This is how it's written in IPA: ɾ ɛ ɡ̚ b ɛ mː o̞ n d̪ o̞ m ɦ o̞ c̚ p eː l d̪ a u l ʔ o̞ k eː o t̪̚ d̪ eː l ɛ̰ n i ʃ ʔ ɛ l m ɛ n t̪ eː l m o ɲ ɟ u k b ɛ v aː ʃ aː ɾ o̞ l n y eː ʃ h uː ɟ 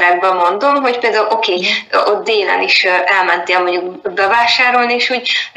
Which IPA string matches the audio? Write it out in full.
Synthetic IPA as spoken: ɾ ɛ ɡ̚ b ɛ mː o̞ n d̪ o̞ m ɦ o̞ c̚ p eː l d̪ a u l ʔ o̞ k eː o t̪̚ d̪ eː l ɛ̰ n i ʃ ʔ ɛ l m ɛ n t̪ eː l m o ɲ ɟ u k b ɛ v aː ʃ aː ɾ o̞ l n i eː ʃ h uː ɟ